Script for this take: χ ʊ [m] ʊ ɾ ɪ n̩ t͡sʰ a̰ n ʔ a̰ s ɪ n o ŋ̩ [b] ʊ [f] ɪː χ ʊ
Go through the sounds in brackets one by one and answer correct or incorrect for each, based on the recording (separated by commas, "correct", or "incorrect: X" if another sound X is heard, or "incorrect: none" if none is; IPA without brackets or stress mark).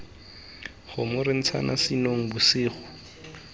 correct, correct, incorrect: s